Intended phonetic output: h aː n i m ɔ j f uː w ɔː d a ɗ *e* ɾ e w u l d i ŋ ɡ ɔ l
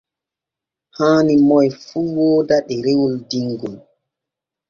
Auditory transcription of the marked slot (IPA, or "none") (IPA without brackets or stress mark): ɛ